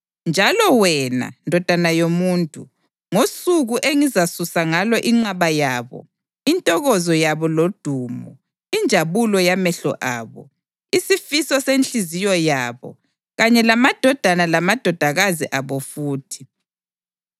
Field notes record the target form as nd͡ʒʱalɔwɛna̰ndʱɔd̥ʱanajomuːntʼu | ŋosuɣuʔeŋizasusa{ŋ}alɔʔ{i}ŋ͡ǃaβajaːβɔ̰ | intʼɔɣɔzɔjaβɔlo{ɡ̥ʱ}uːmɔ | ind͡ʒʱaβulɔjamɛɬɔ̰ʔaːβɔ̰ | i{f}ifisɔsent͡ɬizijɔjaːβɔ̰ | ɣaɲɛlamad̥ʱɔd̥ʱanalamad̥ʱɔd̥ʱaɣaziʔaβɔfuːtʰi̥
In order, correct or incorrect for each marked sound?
correct, correct, incorrect: d̥ʱ, incorrect: s

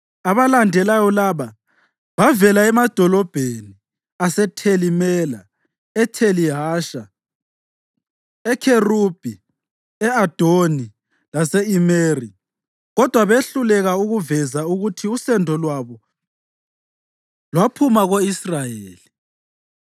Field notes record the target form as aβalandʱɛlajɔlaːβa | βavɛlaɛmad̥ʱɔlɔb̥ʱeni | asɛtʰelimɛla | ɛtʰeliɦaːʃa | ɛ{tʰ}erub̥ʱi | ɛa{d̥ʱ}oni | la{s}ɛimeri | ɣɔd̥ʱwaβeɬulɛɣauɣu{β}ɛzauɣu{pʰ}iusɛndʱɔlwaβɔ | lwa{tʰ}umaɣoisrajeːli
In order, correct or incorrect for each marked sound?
incorrect: kʰ, correct, correct, incorrect: v, incorrect: tʰ, incorrect: pʰ

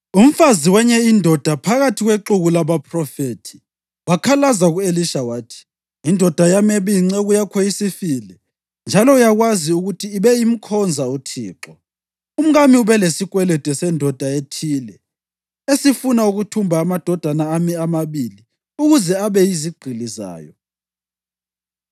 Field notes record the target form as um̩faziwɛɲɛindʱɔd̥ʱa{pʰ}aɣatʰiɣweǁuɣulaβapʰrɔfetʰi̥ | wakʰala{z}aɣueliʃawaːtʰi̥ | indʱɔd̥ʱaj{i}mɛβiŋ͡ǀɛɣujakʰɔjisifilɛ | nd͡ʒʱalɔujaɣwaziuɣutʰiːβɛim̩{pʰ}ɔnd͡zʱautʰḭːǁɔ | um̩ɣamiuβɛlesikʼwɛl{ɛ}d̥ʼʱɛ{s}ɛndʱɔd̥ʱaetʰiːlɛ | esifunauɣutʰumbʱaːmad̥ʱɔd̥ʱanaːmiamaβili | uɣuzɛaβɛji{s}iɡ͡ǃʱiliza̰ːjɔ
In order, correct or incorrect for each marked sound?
correct, correct, incorrect: a, incorrect: kʰ, correct, correct, incorrect: z

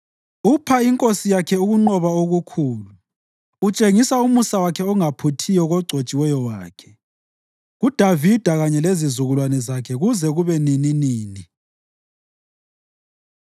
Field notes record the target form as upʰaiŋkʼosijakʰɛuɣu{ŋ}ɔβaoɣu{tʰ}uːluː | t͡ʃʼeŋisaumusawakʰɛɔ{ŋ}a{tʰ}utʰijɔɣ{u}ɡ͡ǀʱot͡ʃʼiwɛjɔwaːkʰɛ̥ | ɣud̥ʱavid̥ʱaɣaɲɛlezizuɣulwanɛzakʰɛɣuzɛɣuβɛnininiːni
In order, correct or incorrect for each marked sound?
incorrect: ŋ͡ǃ, incorrect: kʰ, correct, incorrect: pʰ, incorrect: ɔ

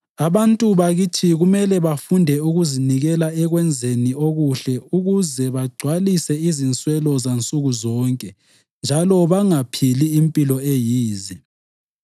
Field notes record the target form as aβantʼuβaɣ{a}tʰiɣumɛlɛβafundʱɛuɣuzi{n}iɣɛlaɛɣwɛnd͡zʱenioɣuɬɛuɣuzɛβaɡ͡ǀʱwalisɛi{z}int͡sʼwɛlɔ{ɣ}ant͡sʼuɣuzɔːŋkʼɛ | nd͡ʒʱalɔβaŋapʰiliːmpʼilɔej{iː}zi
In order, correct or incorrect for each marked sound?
incorrect: i, correct, correct, incorrect: z, correct

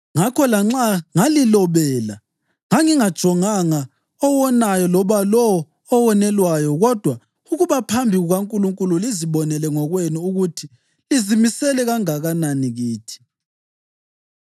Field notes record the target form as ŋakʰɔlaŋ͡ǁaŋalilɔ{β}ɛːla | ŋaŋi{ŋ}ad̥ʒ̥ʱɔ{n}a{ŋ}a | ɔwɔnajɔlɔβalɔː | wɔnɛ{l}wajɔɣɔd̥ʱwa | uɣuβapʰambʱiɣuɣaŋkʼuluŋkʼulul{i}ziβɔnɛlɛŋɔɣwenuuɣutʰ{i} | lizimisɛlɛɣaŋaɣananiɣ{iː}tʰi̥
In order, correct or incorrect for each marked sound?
correct, correct, incorrect: ŋ, correct, correct, correct, correct, correct

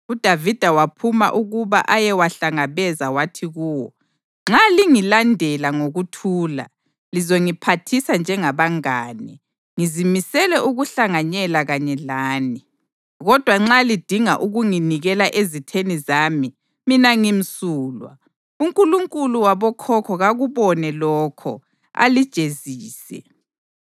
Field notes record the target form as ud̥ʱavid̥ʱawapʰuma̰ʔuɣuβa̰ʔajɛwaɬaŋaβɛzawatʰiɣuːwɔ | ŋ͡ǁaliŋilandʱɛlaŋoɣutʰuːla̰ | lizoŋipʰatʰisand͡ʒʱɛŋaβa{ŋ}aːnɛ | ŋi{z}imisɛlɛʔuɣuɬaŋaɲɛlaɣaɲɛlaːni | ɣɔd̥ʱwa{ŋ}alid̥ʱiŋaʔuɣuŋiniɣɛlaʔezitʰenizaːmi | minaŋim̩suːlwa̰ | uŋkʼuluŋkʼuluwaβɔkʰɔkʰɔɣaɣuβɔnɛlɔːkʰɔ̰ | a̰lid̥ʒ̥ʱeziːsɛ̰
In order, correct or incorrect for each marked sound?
correct, correct, incorrect: ŋ͡ǁ

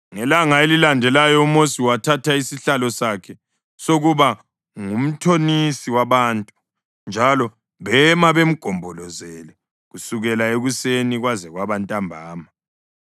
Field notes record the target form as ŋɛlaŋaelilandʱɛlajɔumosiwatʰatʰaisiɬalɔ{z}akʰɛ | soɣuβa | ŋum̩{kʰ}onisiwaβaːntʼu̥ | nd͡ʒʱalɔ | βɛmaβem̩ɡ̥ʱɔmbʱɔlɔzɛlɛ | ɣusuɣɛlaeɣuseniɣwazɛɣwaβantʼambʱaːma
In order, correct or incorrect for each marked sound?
incorrect: s, incorrect: tʰ

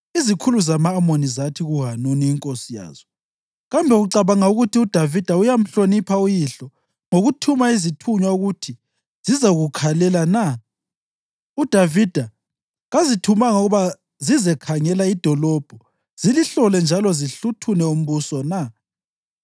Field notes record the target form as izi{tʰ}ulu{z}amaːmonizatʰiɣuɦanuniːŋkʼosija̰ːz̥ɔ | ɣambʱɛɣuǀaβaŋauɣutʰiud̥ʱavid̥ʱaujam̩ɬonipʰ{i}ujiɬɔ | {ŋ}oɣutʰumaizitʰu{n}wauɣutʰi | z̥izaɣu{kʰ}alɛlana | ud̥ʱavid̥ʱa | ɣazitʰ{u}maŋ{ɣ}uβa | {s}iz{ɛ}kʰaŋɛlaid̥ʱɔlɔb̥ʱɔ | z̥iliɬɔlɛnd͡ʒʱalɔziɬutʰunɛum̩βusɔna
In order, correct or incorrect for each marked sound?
incorrect: kʰ, correct, incorrect: a, correct, incorrect: ɲ, correct, correct, correct, incorrect: z, correct

